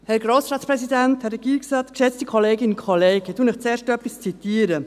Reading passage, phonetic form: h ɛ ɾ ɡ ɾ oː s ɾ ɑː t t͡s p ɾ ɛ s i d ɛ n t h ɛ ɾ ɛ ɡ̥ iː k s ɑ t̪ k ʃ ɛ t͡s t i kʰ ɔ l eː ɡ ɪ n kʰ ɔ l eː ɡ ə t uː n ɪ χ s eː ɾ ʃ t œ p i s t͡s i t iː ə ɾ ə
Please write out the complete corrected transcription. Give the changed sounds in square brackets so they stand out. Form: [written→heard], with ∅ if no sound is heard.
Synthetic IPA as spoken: h ɛ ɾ ɡ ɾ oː s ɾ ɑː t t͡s p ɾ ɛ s i d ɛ n t h ɛ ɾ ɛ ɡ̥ iː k s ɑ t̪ k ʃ ɛ t͡s t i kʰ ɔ l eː ɡ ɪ n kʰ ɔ l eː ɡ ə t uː n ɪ χ [s→t͡s] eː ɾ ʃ t œ p i s t͡s i t iː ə ɾ ə